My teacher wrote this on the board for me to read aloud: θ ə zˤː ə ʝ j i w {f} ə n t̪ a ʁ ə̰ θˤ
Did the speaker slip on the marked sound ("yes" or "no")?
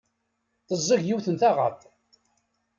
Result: yes